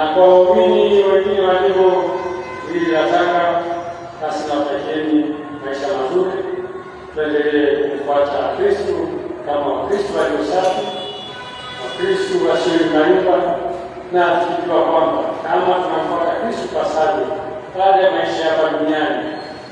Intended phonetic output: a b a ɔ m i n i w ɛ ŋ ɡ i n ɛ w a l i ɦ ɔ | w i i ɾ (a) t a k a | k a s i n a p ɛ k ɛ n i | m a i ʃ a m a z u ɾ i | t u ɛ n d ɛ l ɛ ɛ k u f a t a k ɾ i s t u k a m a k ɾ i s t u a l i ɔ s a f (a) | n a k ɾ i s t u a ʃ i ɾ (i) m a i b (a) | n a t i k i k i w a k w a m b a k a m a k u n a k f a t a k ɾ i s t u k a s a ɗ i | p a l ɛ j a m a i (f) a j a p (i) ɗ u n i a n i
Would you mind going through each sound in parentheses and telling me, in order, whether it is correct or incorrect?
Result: correct, incorrect: i, correct, correct, incorrect: ʃ, incorrect: a

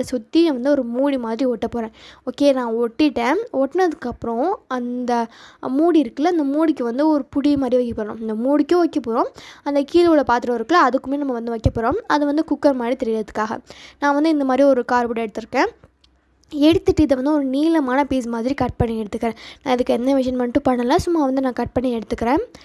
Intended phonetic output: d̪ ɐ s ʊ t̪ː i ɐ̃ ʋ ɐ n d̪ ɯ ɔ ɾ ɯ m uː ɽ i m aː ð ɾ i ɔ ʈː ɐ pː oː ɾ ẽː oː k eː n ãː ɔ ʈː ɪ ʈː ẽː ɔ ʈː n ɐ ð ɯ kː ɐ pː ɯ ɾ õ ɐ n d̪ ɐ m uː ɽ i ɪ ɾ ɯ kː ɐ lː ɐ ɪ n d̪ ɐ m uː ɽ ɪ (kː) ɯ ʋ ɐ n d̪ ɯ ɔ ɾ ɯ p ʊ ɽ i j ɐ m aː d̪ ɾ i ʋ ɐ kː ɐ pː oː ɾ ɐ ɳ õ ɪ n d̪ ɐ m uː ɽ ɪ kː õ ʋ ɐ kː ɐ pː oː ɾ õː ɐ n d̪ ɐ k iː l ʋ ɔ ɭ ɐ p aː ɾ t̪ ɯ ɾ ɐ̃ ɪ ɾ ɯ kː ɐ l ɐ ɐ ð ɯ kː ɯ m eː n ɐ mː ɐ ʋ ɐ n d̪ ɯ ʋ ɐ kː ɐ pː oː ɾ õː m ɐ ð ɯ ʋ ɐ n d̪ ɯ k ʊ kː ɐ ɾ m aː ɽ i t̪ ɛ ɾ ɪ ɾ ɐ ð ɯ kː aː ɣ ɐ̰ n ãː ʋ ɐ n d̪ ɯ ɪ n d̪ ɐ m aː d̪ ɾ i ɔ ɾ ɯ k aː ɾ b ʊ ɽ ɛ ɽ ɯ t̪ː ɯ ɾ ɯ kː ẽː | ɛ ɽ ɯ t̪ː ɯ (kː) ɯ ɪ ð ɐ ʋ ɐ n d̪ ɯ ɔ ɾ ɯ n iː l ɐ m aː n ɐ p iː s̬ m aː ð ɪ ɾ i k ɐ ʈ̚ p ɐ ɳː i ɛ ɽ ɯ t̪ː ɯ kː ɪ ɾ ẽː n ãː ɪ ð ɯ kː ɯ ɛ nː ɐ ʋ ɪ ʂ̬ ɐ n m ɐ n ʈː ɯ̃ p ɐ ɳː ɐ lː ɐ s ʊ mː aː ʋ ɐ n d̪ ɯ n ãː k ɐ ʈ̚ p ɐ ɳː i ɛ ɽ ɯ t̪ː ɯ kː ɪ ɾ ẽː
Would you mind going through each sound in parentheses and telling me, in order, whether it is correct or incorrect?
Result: correct, incorrect: ʈː

